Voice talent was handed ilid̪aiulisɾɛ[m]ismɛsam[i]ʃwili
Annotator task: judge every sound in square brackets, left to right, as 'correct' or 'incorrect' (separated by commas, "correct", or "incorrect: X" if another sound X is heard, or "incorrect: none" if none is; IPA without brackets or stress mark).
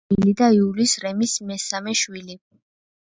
correct, incorrect: ɛ